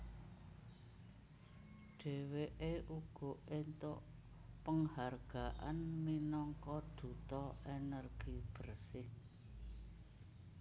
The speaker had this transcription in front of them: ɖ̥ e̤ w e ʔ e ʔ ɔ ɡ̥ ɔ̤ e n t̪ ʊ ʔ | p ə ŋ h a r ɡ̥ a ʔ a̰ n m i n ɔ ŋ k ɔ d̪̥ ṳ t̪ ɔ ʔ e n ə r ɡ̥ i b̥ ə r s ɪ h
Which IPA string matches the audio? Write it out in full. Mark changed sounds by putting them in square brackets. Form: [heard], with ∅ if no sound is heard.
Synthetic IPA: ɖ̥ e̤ w e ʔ e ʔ [u] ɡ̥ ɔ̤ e n t̪ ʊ ʔ | p ə ŋ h a r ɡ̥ a ʔ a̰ n m i n ɔ ŋ k ɔ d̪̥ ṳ t̪ ɔ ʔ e n ə r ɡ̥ i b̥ ə r s ɪ h

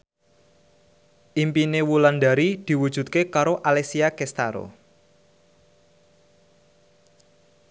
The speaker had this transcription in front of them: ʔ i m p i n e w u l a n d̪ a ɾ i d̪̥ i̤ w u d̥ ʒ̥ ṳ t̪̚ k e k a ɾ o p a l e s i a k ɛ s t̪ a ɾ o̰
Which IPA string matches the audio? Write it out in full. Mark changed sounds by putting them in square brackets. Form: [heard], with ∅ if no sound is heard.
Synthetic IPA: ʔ i m p i n e w u l a n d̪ a ɾ i d̪̥ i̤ w u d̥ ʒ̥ ṳ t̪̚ k e k a ɾ o [ʔ] a l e s i a k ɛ s t̪ a ɾ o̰

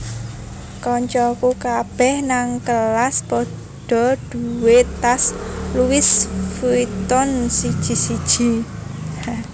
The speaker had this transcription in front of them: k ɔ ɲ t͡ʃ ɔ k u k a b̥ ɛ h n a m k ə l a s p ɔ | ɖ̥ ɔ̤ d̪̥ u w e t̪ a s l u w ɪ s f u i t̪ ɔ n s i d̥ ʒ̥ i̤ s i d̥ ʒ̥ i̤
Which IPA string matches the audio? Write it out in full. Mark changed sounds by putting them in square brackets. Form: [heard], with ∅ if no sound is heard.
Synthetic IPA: k ɔ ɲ t͡ʃ ɔ k u k a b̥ ɛ h n a [ŋ] k ə l a s p ɔ | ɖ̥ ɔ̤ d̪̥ u w e t̪ a s l u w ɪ s f u i t̪ ɔ n s i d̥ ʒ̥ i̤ s i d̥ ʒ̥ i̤

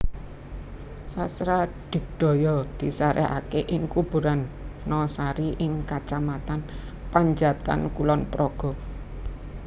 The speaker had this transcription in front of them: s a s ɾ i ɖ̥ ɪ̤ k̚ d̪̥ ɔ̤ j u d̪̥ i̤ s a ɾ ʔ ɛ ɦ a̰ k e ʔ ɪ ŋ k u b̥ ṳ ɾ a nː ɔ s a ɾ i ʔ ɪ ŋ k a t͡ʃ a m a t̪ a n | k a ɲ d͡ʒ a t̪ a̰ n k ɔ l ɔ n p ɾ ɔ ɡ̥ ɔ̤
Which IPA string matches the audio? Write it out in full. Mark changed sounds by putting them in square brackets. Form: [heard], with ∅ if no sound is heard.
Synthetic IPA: s a s ɾ [a] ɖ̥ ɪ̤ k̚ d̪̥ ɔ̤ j [ɔ] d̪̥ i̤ s a ɾ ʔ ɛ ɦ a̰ k e ʔ ɪ ŋ k u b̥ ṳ ɾ a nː ɔ s a ɾ i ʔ ɪ ŋ k a t͡ʃ a m a t̪ a n | [p] a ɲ d͡ʒ a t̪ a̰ n k [u] l ɔ n p ɾ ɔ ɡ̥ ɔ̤

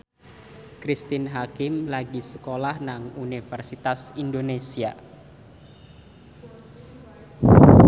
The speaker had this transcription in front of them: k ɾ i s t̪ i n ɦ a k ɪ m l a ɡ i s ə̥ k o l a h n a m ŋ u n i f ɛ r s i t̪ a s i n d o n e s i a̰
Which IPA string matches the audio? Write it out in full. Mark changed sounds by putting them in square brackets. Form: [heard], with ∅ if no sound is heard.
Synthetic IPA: k ɾ i s t̪ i n ɦ a k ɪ m l a ɡ i s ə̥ k o l a h n a [∅] ŋ u n i f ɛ r s i t̪ a s i n d o n e s i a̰

